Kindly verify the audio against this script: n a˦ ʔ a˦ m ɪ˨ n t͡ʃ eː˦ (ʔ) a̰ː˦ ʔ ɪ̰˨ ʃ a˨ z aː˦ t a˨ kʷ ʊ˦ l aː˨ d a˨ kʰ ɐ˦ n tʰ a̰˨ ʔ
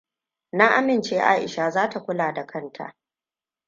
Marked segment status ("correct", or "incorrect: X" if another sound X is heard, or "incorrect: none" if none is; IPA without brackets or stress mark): correct